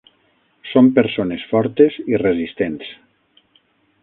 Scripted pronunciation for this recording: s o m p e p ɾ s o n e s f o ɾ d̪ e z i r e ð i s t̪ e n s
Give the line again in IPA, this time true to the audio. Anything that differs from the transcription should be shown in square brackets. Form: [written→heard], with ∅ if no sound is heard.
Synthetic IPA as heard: s o m p e [p→∅] ɾ s o n e s f [o→ɔ] ɾ [d̪→t̪] e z i r e [ð→z] i s t̪ e n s